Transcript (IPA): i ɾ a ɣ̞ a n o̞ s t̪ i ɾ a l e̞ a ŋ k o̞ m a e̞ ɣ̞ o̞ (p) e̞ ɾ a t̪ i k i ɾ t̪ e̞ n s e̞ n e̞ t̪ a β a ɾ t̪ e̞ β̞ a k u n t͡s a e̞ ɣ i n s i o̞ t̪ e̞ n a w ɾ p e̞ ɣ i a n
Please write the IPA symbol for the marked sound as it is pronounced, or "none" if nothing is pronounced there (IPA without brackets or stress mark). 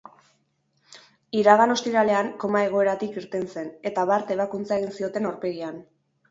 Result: none